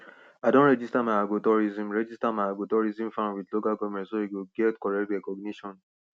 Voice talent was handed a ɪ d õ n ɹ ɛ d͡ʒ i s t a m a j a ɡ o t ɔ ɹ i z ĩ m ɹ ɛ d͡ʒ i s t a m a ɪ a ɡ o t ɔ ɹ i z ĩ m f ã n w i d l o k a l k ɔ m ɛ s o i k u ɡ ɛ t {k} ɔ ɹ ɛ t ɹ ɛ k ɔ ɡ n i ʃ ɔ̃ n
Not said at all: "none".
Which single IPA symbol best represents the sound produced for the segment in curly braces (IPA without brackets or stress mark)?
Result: k